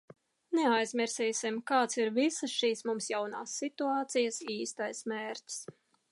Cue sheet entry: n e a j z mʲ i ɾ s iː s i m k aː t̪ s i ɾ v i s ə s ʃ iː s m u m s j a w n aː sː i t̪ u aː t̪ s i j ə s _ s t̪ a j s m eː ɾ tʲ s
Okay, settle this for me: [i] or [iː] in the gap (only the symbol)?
iː